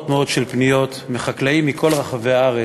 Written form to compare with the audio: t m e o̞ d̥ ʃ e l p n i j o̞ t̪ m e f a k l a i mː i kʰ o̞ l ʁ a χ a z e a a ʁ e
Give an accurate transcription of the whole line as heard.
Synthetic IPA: t m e o̞ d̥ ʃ e l p n i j o̞ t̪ m e χ a k l a i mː i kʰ o̞ l ʁ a χ a v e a a ʁ e